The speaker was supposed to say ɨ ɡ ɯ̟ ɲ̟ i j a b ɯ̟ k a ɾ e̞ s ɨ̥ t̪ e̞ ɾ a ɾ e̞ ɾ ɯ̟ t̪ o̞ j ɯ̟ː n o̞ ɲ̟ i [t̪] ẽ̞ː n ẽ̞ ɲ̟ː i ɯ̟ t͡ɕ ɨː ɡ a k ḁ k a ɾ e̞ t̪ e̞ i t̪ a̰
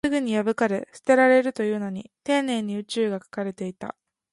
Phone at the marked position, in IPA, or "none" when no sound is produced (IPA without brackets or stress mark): t̪